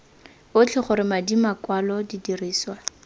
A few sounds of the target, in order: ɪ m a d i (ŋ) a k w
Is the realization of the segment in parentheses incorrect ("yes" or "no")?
yes